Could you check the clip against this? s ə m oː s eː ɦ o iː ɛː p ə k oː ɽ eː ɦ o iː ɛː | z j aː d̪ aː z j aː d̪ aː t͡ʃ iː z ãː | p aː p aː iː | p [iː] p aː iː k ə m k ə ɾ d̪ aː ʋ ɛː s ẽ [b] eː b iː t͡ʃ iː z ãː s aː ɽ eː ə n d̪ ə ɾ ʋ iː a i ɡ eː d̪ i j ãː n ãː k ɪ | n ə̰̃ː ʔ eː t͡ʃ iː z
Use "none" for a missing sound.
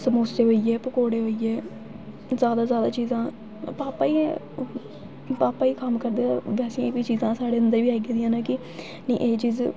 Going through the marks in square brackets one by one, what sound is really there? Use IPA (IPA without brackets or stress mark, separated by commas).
aː, none